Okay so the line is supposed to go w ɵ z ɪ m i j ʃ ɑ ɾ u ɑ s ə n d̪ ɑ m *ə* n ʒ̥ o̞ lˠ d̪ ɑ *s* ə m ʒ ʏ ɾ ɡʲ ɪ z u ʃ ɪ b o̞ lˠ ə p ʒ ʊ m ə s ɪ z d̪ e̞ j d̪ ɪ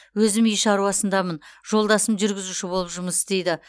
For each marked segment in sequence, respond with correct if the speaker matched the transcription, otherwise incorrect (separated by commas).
correct, correct